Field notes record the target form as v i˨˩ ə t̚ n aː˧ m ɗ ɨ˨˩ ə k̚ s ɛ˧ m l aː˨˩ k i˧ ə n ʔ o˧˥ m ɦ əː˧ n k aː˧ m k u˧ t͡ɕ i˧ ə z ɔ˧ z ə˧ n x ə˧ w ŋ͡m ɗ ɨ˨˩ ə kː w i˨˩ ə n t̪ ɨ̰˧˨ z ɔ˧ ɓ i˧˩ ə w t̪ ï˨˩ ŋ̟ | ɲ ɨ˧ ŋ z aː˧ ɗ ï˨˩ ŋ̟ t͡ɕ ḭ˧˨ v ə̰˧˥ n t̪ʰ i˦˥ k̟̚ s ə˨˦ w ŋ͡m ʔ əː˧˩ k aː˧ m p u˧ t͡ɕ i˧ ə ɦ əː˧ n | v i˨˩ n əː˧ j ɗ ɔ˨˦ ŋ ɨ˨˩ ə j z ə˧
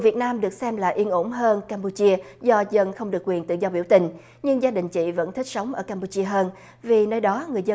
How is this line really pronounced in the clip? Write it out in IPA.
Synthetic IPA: v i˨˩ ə t̚ n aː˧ m ɗ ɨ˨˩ ə k̚ s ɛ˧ m l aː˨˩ ʔ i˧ ə n ʔ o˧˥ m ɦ əː˧ n k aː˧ m p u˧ t͡ɕ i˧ ə z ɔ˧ z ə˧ n x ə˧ w ŋ͡m ɗ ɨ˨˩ ə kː w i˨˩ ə n t̪ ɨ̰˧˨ z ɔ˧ ɓ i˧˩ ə w t̪ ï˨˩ ŋ̟ | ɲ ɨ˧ ŋ z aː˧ ɗ ï˨˩ ŋ̟ t͡ɕ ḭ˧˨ v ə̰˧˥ n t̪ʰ i˦˥ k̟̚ s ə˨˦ w ŋ͡m ʔ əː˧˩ k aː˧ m p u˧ t͡ɕ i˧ ə ɦ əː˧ n | v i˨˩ n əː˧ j ɗ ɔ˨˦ ŋ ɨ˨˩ ə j z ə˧